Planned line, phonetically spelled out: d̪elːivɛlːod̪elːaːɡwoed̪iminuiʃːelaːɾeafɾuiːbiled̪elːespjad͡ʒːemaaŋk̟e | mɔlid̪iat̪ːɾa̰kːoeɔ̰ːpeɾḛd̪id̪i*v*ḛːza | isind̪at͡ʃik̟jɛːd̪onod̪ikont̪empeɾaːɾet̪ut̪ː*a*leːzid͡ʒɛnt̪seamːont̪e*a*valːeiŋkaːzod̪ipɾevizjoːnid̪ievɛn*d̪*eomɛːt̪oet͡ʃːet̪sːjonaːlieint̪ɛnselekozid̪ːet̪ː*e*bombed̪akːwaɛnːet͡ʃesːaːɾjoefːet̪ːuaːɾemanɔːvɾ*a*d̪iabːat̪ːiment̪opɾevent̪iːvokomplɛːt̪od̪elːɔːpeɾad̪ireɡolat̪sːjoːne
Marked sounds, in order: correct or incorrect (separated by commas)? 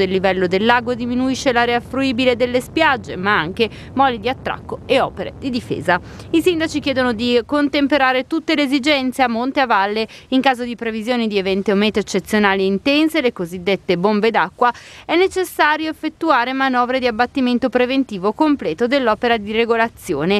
incorrect, incorrect, correct, incorrect, correct, incorrect